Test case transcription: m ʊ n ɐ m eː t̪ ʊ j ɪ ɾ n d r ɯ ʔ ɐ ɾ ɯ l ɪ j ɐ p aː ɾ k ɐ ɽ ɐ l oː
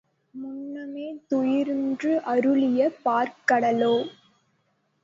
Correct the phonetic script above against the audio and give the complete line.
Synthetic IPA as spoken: m ʊ nː ɐ m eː t̪ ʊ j ɪ ɾ n d r ɯ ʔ ɐ ɾ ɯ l ɪ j ɐ p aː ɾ k ɐ ɽ ɐ l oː